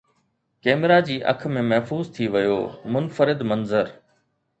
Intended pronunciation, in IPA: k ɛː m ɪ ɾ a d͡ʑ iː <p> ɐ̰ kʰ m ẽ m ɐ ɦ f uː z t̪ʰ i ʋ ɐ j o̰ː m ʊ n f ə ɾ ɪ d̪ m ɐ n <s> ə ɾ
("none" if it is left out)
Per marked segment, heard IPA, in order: ʔ, z

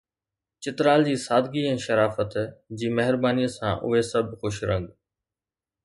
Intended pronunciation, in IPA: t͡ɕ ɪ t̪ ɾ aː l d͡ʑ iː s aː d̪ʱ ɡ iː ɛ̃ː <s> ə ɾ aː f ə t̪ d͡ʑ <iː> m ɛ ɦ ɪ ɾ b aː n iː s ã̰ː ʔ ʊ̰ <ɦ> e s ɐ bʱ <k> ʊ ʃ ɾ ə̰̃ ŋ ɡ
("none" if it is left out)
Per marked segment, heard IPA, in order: ʃ, iː, ɦ, x

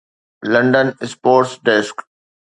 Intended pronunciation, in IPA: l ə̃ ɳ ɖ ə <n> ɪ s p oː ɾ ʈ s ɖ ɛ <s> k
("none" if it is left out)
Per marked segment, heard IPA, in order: n, s

